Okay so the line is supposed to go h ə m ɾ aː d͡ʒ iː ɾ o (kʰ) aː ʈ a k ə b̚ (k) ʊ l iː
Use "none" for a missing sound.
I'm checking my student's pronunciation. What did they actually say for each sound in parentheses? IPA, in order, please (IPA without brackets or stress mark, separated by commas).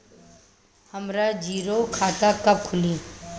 kʰ, kʰ